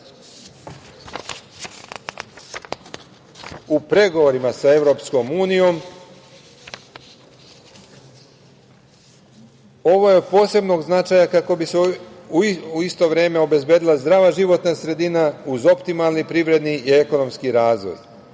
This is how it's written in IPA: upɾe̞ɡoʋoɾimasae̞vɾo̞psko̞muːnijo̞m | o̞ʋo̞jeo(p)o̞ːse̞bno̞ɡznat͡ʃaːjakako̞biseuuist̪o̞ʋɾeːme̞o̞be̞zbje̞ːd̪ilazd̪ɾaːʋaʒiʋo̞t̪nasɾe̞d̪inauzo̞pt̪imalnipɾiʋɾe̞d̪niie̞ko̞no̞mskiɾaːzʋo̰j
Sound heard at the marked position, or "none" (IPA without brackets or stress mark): p